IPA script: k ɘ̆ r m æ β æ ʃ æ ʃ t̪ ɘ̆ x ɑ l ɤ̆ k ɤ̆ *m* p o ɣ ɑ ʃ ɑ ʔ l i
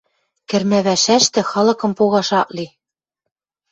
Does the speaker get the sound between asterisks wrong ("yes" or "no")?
no